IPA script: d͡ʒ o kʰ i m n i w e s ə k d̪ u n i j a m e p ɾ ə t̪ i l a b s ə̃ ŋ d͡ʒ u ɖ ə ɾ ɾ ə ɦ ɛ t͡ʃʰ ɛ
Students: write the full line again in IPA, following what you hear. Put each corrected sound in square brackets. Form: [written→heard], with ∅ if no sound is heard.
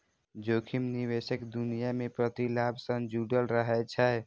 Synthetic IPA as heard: d͡ʒ o kʰ i m n i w e s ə k d̪ u n i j a m e p ɾ ə t̪ i l a b s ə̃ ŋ d͡ʒ u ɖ ə [ɾ→l] ɾ ə ɦ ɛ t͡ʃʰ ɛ